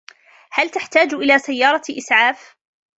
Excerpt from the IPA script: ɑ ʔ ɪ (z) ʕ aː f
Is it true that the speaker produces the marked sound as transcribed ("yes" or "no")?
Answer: no